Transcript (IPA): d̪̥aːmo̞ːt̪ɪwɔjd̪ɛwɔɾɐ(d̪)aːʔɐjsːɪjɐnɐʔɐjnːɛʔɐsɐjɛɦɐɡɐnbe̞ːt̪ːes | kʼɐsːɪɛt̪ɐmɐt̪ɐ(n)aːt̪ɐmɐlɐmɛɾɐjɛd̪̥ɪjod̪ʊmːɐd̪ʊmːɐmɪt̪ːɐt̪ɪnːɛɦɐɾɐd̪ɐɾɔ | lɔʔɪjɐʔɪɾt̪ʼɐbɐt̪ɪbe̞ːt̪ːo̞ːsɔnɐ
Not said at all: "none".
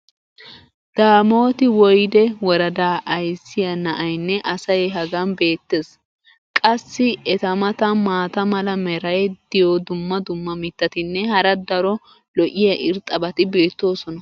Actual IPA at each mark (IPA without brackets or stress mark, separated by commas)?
d̪, m